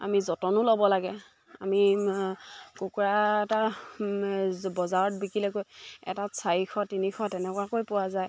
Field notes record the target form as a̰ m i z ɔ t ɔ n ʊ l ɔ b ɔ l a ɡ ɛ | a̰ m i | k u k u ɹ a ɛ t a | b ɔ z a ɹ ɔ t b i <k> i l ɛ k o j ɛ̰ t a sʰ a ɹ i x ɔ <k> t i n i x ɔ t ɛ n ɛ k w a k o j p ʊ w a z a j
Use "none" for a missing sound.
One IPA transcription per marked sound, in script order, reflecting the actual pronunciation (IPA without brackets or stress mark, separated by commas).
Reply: k, none